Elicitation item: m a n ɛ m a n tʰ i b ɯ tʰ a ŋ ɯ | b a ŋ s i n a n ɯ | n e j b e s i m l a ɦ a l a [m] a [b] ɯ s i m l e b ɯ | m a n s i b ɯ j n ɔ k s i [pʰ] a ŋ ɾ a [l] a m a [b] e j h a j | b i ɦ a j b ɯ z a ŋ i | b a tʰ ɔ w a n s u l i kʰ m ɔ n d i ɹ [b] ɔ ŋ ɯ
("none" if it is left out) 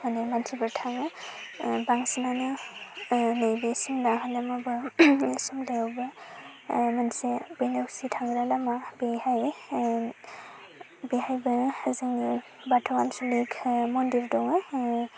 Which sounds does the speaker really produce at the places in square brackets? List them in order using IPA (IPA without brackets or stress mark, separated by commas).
m, b, tʰ, l, b, d